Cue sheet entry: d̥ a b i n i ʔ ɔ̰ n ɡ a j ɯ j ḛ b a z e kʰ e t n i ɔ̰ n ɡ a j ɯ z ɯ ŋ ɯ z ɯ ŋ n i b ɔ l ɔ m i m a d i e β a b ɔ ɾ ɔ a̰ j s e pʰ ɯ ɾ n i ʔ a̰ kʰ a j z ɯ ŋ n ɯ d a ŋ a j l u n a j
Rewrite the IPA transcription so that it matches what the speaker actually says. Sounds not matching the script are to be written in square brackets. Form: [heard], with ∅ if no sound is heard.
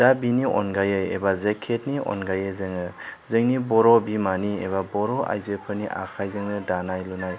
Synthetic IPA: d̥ a b i n i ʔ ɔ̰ n ɡ a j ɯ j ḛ b a z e kʰ e t n i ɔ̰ n ɡ a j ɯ z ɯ ŋ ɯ z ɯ ŋ n i b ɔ [ɾ] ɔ [b] i m a [n] i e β a b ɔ ɾ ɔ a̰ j [z] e pʰ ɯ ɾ n i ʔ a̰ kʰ a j z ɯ ŋ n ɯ d a [n] a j l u n a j